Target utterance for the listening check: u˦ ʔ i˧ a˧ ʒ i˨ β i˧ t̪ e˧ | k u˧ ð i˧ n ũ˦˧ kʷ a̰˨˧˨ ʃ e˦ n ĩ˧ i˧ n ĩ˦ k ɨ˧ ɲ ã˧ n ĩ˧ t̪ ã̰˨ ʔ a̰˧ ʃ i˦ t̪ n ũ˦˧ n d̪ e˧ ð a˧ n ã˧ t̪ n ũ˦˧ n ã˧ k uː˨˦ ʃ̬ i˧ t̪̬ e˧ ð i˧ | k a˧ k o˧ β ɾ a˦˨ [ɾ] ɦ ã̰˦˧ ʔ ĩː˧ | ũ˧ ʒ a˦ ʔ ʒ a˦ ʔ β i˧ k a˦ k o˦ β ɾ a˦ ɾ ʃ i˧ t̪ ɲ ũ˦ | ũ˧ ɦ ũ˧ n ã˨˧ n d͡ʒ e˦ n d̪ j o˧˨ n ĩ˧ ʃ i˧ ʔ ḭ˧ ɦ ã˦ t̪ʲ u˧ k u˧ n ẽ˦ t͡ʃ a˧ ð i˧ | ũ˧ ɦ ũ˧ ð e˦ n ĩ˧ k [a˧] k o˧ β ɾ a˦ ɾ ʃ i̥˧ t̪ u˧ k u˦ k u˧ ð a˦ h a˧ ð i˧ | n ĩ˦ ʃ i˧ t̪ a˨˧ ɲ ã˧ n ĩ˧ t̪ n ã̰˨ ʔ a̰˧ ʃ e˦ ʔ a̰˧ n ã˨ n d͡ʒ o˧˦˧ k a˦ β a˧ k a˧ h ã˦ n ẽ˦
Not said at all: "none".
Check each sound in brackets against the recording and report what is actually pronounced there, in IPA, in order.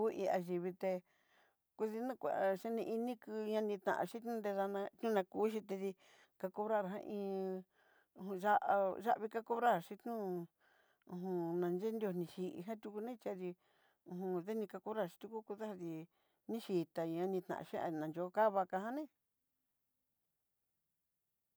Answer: ɾ, a˧

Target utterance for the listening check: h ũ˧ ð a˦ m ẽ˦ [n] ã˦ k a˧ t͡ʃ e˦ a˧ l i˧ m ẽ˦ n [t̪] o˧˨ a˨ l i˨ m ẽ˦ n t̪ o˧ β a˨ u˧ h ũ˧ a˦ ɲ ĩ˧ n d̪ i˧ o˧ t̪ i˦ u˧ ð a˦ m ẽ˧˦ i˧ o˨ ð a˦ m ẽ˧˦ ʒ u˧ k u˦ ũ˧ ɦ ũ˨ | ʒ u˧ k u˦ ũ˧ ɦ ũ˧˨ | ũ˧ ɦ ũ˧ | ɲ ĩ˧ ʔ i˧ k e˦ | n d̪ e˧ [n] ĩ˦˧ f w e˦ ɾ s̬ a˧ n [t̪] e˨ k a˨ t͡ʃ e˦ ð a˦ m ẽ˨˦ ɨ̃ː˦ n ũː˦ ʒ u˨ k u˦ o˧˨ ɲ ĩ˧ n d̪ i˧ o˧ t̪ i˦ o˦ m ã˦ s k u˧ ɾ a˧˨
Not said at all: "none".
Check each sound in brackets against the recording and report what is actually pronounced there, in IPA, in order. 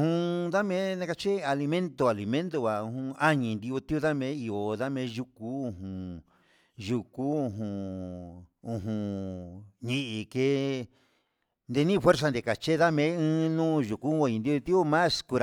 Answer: n, t̪, n, d̪

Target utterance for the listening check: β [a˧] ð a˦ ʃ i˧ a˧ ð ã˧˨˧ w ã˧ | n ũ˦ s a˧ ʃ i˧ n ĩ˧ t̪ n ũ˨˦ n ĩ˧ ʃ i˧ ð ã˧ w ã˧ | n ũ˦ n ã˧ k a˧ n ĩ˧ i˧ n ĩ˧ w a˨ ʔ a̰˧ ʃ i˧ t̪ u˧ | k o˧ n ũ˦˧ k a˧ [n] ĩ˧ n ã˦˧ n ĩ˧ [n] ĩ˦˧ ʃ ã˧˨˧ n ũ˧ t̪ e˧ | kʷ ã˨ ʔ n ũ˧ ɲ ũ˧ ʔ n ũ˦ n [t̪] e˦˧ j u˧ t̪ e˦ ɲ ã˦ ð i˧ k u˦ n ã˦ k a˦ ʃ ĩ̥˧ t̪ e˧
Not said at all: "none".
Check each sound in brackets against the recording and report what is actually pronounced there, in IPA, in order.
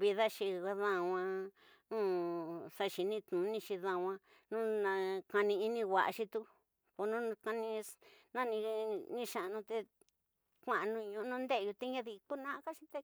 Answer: i˧, n, n, d̪

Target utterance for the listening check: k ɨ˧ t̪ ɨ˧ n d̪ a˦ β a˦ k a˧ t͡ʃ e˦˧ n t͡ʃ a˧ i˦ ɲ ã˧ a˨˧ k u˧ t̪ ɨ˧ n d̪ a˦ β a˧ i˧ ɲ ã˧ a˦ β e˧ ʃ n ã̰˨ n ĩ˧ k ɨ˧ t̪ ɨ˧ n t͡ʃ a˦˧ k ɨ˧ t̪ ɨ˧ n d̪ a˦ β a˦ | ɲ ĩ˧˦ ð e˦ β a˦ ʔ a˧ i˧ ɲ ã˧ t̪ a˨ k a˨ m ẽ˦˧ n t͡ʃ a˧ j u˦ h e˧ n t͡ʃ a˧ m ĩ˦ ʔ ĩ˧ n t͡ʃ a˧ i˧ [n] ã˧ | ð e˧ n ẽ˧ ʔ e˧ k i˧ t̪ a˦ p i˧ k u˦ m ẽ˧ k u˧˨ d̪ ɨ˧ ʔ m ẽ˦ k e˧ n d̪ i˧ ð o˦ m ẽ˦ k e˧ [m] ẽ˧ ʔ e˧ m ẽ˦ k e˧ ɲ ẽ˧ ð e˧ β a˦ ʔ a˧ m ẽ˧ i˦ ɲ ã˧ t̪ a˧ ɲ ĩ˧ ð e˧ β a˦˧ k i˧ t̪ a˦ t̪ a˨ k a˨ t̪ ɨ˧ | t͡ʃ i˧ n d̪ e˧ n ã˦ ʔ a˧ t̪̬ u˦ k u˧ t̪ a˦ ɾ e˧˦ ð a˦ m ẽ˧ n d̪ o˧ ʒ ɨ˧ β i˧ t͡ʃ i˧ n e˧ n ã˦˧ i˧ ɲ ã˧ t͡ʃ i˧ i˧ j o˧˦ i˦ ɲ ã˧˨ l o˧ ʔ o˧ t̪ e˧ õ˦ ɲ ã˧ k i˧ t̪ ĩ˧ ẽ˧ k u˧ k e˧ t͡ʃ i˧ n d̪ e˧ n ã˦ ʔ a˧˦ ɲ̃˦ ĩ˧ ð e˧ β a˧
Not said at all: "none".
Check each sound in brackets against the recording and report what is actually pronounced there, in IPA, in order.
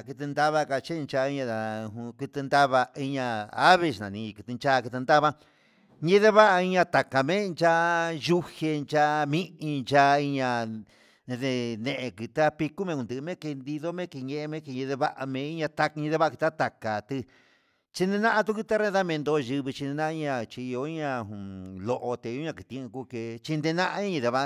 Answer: ɲ, ɲ

